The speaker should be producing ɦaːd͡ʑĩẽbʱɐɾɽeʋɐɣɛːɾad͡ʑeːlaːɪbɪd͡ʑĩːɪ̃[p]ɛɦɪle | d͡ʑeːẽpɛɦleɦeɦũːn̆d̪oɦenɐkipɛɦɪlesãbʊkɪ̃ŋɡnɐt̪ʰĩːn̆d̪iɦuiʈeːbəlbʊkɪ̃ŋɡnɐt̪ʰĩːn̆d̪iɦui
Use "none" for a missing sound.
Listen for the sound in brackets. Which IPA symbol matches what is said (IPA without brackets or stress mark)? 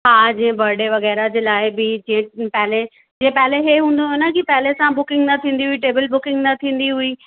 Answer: p